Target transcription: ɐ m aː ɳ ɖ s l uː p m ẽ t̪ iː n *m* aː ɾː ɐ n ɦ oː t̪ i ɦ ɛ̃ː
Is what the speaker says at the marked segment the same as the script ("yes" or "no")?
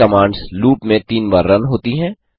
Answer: no